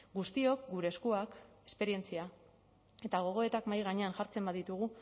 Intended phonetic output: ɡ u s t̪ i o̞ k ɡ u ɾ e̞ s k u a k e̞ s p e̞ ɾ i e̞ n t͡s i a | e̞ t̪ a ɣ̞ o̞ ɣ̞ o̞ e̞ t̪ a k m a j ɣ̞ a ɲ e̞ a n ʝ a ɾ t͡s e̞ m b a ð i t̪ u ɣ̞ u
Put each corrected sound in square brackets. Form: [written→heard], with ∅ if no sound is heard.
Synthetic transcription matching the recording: ɡ u s t̪ i o̞ k ɡ u ɾ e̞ s k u a k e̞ s p e̞ ɾ i e̞ n t͡s i a | e̞ t̪ a ɣ̞ o̞ ɣ̞ o̞ e̞ t̪ a k m a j ɣ̞ a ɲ e̞ a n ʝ a ɾ t͡s e̞ m b a ð i t̪ u ɣ̞ u

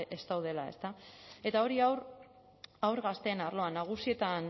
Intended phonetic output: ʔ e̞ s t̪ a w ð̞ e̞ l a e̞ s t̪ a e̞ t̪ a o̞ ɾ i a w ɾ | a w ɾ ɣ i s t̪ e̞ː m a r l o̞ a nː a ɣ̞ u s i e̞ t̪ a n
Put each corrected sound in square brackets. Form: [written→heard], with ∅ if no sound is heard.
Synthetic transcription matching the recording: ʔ e̞ s t̪ a w ð̞ e̞ l a e̞ s t̪ a e̞ t̪ a o̞ ɾ i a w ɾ | a w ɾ ɣ [i→a] s t̪ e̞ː [m→n] a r l o̞ a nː a ɣ̞ u s i e̞ t̪ a n

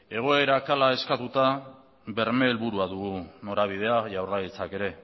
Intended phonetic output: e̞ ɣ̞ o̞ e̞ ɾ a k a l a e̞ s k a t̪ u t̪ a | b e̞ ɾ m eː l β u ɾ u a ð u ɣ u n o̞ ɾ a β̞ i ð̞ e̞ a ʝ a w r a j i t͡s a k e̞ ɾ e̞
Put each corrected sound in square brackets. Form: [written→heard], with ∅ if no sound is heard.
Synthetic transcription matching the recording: e̞ ɣ̞ o̞ e̞ ɾ a k a l a e̞ s k a t̪ u t̪ a | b e̞ ɾ m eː l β u ɾ u a ð u ɣ u n o̞ ɾ a β̞ i ð̞ e̞ a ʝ a w r a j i t͡s a k e̞ ɾ e̞

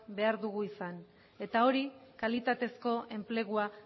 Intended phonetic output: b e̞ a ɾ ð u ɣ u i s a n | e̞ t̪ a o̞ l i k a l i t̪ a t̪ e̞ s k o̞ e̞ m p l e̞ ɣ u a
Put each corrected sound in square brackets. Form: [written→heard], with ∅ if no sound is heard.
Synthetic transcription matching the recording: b e̞ a ɾ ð u ɣ u i s a n | e̞ t̪ a o̞ [l→ɾ] i k a l i t̪ a t̪ e̞ s k o̞ e̞ m p l e̞ ɣ u a

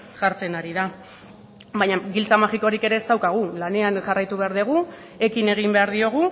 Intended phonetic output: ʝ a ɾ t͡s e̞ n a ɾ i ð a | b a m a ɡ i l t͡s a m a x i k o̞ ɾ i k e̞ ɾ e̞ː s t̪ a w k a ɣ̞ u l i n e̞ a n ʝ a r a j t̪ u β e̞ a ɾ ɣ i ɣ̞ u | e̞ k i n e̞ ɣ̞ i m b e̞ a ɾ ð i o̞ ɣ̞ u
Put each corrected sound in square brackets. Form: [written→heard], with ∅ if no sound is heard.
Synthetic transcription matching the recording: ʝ a ɾ t͡s e̞ n a ɾ i ð a | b a [m→ɲ] a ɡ i l t͡s a m a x i k o̞ ɾ i k e̞ ɾ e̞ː s t̪ a w k a ɣ̞ u l [i→a] n e̞ a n ʝ a r a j t̪ u β e̞ a ɾ [ɣ→ð] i ɣ̞ u | e̞ k i n e̞ ɣ̞ i m b e̞ a ɾ ð i o̞ ɣ̞ u

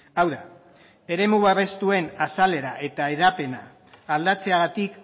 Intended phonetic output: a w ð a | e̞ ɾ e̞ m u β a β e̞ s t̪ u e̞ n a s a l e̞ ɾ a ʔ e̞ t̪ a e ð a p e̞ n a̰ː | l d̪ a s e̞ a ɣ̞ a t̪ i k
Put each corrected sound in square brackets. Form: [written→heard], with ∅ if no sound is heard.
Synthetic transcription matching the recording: a w ð a | e̞ ɾ e̞ m u β a β e̞ s t̪ u e̞ n a s a l e̞ ɾ a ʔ e̞ t̪ a e ð a p e̞ n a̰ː | l d̪ a [s→t͡s] e̞ a ɣ̞ a t̪ i k

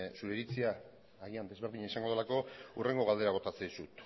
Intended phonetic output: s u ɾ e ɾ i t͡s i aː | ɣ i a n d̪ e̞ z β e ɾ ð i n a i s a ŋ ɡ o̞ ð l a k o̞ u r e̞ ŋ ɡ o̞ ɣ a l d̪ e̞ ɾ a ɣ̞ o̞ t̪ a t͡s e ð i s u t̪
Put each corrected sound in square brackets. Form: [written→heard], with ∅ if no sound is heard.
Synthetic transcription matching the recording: s u ɾ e ɾ i t͡s i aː | ɣ i a n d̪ e̞ z β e ɾ ð i [n→ɲ] a i s a ŋ ɡ o̞ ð l a k o̞ u r e̞ ŋ ɡ o̞ ɣ a l d̪ e̞ ɾ a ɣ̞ o̞ t̪ a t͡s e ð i s u t̪

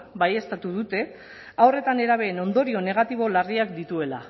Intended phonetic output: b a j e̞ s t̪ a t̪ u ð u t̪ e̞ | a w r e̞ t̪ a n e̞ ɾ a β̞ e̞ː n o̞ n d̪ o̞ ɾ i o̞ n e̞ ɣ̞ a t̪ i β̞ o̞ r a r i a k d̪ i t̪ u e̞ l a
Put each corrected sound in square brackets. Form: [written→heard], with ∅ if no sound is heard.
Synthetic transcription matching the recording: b a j e̞ s t̪ a t̪ u ð u t̪ e̞ | a w r e̞ t̪ a n e̞ ɾ a β̞ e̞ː n o̞ n d̪ o̞ ɾ i o̞ n e̞ ɣ̞ a t̪ i β̞ o̞ [r→l] a r i a k d̪ i t̪ u e̞ l a

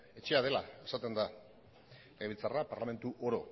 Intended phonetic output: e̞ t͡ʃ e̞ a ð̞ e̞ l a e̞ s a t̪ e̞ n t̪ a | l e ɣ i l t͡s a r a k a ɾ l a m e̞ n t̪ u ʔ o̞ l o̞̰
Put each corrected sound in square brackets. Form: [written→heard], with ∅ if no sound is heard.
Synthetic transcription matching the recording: e̞ t͡ʃ e̞ a ð̞ e̞ l a e̞ s a t̪ e̞ n [t̪→d̪] a | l e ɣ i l t͡s a r a [k→p] a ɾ l a m e̞ n t̪ u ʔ o̞ [l→ɾ] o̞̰

